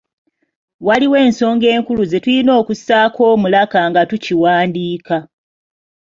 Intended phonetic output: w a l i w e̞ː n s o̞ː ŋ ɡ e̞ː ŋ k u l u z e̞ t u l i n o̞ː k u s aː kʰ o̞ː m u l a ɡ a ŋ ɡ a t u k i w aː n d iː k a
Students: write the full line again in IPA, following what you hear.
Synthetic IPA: w a l i w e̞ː n s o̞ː ŋ ɡ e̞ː ŋ k u l u z e̞ t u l i n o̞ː k u s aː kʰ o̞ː m u l a k a ŋ ɡ a t u c i w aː n d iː k a